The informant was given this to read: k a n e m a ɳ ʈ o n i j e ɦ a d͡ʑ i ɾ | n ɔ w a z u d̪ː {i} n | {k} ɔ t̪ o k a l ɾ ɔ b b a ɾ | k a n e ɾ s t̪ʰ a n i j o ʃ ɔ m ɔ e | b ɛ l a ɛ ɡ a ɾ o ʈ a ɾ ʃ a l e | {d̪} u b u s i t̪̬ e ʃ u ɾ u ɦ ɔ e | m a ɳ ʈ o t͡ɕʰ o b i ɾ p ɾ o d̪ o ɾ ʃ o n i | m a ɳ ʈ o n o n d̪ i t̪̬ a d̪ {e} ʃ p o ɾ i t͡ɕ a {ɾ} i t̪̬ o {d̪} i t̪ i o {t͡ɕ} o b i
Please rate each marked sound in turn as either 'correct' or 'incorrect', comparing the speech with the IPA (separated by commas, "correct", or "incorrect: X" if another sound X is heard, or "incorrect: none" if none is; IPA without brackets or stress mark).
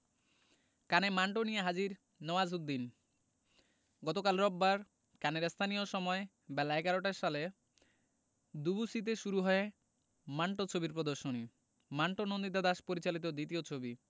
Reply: correct, incorrect: ɡ, correct, incorrect: a, incorrect: l, correct, incorrect: t͡ɕʰ